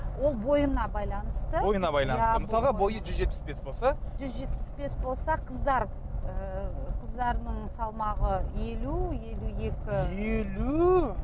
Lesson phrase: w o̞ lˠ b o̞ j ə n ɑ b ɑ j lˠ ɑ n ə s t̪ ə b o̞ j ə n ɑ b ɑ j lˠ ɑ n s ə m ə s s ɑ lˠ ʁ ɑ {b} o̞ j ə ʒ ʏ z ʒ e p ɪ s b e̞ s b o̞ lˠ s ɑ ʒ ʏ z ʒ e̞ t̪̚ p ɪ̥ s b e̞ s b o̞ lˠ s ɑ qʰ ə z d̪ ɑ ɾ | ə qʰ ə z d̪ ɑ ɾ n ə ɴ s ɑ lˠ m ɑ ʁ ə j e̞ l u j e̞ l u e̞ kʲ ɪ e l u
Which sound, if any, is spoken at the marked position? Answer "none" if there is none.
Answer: b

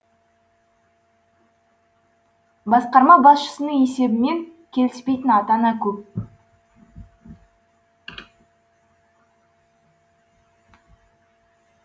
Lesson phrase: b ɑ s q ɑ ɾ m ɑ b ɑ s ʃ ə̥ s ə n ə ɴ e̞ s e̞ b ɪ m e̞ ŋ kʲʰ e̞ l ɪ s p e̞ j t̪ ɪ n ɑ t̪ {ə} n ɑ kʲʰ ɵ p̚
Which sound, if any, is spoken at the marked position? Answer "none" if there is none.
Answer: ɑ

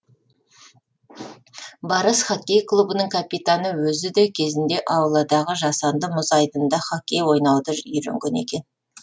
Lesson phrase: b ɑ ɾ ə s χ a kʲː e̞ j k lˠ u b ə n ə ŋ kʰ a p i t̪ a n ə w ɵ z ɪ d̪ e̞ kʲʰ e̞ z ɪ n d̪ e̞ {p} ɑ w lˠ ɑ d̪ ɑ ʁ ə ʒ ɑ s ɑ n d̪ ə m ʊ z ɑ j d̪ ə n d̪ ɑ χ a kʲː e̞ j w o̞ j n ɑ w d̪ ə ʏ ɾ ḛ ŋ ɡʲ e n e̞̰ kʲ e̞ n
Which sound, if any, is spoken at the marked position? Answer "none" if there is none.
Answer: ʔ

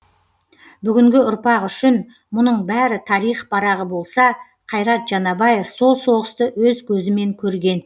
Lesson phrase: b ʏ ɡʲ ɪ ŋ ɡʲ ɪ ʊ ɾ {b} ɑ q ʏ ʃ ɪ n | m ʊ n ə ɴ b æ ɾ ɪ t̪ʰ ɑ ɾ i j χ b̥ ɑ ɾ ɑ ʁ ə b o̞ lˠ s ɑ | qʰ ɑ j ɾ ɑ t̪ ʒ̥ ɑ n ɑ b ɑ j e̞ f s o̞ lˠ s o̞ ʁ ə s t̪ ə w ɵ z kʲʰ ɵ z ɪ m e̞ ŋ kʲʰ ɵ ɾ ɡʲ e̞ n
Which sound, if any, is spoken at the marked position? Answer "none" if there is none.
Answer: p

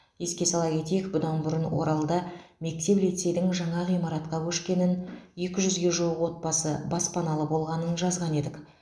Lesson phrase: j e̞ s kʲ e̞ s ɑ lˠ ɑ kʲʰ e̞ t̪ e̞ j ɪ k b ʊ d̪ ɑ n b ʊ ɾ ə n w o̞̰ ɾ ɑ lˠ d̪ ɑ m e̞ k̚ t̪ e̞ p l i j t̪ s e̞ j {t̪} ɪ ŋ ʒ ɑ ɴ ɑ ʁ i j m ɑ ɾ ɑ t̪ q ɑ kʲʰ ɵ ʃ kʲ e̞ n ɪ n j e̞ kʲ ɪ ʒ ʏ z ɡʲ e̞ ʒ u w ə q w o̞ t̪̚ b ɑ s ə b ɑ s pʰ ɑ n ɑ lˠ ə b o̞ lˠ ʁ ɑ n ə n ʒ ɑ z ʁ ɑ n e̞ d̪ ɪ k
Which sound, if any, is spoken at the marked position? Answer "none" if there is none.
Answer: d̪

